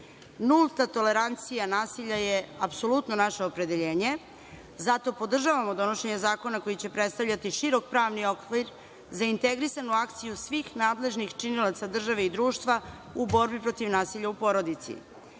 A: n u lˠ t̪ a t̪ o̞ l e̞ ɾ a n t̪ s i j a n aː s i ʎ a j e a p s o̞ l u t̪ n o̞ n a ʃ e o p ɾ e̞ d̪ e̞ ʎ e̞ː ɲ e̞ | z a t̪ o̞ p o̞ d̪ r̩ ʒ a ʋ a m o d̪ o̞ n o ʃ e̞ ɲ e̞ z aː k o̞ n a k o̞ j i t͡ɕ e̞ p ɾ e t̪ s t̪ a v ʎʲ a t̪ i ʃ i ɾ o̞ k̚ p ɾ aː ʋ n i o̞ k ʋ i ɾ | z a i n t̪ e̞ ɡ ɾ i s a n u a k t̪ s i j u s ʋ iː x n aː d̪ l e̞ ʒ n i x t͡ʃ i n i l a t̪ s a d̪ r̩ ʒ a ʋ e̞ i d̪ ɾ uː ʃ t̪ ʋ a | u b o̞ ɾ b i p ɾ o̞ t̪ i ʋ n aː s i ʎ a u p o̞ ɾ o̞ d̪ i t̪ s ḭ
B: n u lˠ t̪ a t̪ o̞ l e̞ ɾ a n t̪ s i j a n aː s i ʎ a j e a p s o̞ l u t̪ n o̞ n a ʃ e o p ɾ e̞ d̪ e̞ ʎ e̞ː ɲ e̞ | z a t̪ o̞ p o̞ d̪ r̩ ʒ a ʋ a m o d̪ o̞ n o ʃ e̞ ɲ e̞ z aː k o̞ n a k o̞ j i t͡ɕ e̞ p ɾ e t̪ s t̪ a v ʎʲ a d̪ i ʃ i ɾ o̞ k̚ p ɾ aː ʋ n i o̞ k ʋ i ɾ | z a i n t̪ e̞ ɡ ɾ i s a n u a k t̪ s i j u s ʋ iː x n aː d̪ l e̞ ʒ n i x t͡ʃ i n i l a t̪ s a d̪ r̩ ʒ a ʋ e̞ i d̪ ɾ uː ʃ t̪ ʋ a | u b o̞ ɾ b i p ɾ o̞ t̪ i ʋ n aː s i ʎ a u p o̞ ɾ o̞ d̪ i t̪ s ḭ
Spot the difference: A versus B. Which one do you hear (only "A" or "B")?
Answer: A